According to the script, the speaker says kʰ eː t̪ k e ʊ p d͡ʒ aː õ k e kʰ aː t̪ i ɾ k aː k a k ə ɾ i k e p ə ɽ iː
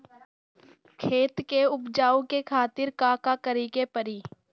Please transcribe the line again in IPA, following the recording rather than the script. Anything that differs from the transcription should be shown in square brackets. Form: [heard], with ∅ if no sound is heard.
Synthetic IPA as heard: kʰ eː t̪ k e ʊ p d͡ʒ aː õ k e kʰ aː t̪ [ɪ] ɾ k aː k a k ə ɾ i k e p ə [ɾ] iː